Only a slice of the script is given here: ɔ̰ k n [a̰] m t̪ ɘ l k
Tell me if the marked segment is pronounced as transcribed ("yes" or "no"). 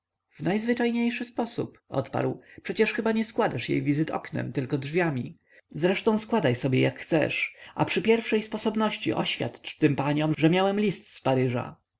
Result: no